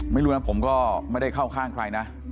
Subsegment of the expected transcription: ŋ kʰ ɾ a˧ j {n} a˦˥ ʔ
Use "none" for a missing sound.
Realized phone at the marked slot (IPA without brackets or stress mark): n